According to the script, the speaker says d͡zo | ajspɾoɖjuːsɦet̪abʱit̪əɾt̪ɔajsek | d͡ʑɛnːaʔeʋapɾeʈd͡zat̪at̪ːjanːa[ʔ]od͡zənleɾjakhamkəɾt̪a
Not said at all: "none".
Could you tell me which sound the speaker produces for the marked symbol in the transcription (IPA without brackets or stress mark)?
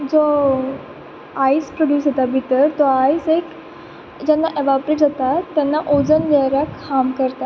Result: ʔ